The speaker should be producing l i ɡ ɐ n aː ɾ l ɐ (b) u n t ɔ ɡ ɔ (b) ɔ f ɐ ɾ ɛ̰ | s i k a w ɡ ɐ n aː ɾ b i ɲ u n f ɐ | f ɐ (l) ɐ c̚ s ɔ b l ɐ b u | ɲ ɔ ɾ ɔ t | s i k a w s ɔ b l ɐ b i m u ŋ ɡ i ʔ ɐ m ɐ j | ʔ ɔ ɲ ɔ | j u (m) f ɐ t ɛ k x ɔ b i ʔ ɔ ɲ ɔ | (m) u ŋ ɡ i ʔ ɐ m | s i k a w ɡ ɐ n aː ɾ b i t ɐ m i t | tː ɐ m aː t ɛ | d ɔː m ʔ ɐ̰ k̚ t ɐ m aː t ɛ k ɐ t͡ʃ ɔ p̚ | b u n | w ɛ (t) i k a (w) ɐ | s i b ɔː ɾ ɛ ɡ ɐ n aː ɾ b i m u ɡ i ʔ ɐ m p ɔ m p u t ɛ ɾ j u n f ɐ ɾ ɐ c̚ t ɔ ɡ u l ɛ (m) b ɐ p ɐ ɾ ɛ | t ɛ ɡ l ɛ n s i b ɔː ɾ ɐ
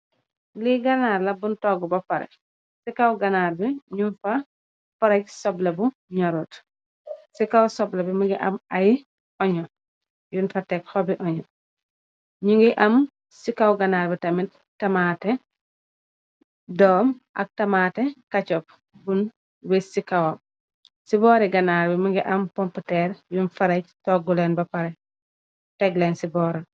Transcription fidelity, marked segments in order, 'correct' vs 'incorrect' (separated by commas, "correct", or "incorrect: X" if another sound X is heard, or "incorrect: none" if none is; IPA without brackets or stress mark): correct, correct, incorrect: ɾ, incorrect: n, incorrect: ɲ, incorrect: s, correct, incorrect: n